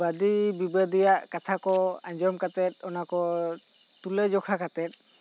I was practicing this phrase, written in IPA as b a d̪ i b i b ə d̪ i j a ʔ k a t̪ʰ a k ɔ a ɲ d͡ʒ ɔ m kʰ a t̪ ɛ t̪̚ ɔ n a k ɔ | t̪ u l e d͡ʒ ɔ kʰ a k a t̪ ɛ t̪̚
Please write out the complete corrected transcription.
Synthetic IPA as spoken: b a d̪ i b i b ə d̪ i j a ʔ k a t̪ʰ a k ɔ a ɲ d͡ʒ ɔ m k a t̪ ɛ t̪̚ ɔ n a k ɔ | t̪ u l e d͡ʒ ɔ kʰ a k a t̪ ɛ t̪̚